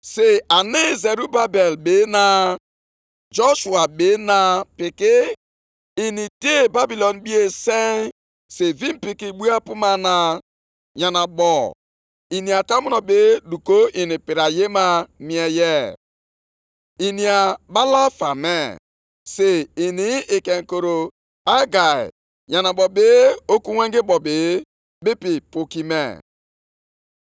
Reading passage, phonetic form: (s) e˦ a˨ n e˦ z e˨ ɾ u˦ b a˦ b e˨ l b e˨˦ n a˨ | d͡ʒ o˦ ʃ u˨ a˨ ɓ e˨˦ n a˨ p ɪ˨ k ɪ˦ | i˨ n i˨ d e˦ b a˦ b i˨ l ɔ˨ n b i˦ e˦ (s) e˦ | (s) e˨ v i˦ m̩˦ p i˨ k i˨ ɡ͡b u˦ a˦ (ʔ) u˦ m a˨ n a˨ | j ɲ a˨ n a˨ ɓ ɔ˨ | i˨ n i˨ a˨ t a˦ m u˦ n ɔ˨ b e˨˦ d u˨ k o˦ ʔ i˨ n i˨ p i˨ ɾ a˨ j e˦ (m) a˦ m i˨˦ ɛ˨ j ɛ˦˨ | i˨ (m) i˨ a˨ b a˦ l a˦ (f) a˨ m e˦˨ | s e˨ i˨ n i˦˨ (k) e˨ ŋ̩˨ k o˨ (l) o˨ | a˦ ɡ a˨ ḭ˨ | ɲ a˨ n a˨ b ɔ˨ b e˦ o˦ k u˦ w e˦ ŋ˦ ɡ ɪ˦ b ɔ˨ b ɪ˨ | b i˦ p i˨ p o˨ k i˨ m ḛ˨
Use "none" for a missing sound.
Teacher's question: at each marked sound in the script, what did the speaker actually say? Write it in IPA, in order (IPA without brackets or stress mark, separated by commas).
s, s, s, p, m, n, f, k, ɾ